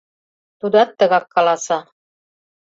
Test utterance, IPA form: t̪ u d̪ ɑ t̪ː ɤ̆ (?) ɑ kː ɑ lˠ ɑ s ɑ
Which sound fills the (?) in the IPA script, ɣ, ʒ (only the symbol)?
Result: ɣ